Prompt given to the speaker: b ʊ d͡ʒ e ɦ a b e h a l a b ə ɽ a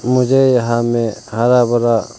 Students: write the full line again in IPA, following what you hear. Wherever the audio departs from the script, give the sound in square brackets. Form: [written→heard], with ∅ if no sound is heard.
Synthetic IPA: [b→m] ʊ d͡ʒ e ɦ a [b→m] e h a [l→ɾ] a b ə [ɽ→ɾ] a